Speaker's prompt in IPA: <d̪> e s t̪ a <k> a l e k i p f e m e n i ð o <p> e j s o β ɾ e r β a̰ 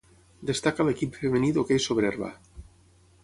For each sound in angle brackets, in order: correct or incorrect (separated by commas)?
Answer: correct, correct, incorrect